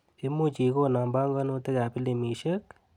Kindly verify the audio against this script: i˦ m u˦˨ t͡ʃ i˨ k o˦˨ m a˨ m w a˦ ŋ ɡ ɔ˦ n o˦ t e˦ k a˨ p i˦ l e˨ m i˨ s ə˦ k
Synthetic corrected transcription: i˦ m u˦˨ t͡ʃ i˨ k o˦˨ n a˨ m b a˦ ŋ ɡ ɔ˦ n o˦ t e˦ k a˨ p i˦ l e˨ m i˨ ʃ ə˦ k